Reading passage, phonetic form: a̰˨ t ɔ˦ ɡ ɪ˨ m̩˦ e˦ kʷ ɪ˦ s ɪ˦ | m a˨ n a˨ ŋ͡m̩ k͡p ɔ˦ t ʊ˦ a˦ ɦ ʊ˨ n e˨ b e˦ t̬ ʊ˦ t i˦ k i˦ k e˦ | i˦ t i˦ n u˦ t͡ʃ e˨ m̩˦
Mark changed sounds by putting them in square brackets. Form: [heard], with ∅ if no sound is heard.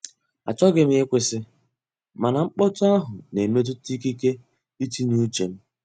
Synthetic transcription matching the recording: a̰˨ [t͡ʃ] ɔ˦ ɡ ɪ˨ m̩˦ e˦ kʷ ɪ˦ s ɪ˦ | m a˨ n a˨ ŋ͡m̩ k͡p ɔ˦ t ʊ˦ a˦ ɦ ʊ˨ n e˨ [m] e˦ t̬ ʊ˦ t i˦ k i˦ k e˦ | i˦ t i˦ n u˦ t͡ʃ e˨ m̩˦

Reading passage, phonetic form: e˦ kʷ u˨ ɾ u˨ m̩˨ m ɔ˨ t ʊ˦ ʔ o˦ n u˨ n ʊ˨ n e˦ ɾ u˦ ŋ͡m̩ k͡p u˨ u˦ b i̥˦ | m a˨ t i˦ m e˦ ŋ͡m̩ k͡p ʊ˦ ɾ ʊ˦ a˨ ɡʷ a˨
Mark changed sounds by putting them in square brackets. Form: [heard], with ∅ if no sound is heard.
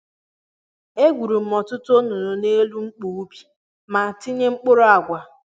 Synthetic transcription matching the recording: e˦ [ɡʷ] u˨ ɾ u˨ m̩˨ m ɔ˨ t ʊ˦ [t] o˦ n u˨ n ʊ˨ n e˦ [l] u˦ ŋ͡m̩ k͡p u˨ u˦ b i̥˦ | m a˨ t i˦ [ɲ] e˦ ŋ͡m̩ k͡p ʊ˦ ɾ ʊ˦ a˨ ɡʷ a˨

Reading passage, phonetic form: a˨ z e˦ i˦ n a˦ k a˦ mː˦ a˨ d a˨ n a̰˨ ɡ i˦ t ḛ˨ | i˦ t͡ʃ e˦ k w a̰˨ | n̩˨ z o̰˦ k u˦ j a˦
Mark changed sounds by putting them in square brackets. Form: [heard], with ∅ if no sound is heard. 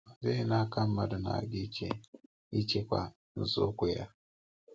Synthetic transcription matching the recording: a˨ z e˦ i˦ n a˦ k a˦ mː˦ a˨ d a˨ n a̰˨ ɡ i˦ [t͡ʃ] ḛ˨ | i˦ t͡ʃ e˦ k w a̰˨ | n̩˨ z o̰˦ k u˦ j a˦

